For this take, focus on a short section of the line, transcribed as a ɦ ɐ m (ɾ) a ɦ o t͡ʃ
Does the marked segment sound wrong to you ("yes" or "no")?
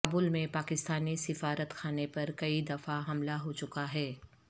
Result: yes